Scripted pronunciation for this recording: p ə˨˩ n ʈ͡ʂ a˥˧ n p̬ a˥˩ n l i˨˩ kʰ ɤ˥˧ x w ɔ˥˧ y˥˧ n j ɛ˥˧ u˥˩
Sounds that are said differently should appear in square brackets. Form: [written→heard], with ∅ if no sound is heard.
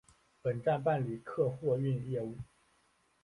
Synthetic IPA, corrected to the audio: p ə˨˩ n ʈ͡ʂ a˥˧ n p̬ a˥˩ n l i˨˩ kʰ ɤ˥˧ x w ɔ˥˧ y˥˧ n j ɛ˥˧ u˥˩